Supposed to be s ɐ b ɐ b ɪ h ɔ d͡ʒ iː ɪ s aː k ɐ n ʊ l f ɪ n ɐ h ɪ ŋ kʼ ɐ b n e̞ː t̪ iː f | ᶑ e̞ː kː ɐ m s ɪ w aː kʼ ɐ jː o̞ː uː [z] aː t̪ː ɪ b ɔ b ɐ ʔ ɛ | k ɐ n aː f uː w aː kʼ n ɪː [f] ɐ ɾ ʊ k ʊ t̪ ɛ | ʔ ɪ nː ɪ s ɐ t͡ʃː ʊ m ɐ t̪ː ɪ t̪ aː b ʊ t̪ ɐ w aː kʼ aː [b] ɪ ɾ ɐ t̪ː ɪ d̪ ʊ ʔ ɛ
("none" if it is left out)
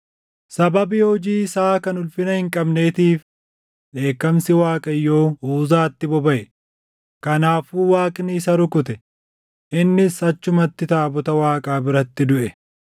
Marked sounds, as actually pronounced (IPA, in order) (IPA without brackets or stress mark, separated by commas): z, s, b